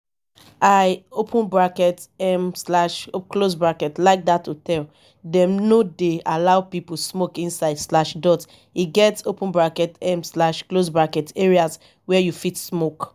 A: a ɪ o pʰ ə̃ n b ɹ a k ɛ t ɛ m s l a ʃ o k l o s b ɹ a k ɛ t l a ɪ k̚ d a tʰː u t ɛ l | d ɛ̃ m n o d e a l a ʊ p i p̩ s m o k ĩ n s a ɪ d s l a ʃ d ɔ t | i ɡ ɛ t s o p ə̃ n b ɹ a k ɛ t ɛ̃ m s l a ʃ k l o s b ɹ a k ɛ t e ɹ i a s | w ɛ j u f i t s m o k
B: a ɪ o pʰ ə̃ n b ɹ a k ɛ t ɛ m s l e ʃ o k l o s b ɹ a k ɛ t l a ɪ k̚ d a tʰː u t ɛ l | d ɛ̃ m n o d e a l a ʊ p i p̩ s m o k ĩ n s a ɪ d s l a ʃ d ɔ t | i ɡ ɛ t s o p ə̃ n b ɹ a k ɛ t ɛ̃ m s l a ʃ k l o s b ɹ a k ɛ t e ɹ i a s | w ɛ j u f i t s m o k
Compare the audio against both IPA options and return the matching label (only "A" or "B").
A